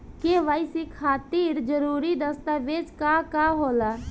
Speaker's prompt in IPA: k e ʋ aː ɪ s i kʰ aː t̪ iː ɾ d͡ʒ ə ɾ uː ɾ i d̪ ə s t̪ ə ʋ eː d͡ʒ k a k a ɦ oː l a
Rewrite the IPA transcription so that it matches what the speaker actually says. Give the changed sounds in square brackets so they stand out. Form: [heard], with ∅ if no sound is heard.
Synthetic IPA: k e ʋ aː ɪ s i kʰ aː t̪ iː ɾ d͡ʒ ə ɾ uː ɾ i d̪ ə s t̪ [a] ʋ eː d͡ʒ k a k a ɦ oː l a